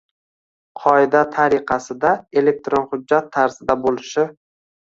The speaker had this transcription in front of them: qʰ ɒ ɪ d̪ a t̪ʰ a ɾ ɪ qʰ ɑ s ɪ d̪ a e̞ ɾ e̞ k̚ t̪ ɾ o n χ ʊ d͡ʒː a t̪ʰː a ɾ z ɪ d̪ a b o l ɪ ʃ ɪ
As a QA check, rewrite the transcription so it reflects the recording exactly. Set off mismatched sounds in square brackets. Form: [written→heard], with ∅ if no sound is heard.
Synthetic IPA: qʰ ɒ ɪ d̪ a t̪ʰ a ɾ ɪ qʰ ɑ s ɪ d̪ a e̞ [ɾ→l] e̞ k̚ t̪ ɾ o n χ ʊ d͡ʒː a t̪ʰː a ɾ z ɪ d̪ a b o l ɪ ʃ ɪ